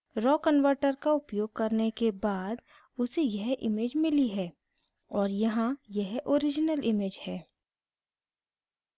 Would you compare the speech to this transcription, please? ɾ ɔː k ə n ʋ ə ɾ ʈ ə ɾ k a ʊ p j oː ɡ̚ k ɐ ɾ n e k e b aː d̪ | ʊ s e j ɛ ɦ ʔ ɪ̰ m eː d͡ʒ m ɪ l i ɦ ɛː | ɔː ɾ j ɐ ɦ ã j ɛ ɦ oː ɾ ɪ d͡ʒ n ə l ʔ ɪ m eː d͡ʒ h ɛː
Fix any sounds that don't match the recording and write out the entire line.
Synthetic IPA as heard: ɾ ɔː k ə n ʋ ə ɾ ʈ ə ɾ k a ʊ p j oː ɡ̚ k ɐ ɾ n e k e b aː d̪ | ʊ s e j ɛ ɦ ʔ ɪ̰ m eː d͡ʒ m ɪ l i ɦ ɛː | ɔː ɾ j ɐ ɦ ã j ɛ ɦ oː ɾ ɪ d͡ʒ n ə l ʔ ɪ m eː d͡ʒ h ɛː